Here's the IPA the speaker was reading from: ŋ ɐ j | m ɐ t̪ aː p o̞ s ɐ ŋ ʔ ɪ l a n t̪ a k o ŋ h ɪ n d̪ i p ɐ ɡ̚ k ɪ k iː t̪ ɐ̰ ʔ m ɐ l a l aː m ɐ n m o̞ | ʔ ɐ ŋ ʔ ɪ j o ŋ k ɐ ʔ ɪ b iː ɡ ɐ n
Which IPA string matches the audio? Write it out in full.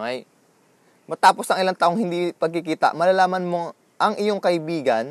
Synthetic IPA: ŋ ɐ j | m ɐ t̪ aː p o̞ s ɐ ŋ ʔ ɪ l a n t̪ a ʔ o ŋ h ɪ n d̪ i p ɐ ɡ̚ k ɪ k iː t̪ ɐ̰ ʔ m ɐ l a l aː m ɐ n m o̞ | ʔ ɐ ŋ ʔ ɪ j o ŋ k ɐ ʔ ɪ b iː ɡ ɐ n